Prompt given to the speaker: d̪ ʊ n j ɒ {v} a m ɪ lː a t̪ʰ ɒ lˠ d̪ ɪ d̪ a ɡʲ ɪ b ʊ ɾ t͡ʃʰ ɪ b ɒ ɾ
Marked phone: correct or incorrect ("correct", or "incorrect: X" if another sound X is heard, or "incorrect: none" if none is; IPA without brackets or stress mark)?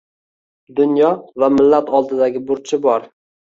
correct